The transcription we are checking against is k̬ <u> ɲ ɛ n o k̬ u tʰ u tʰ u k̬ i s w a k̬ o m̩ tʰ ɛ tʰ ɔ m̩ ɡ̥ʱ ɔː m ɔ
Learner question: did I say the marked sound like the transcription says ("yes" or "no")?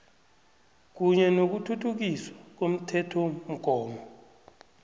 yes